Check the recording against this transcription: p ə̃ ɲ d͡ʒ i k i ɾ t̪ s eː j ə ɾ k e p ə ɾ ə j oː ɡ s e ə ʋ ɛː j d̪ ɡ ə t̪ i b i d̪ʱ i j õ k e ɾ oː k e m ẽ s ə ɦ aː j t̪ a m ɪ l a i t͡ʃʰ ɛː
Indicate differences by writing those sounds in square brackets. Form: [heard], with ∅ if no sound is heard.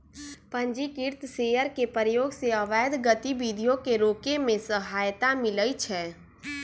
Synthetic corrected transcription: p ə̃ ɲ d͡ʒ i k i ɾ t̪ s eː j ə ɾ k e p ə ɾ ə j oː ɡ s e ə ʋ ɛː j d̪ ɡ ə t̪ i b i d̪ʱ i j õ k e ɾ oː k e m ẽ s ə ɦ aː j t̪ a m ɪ l [ə] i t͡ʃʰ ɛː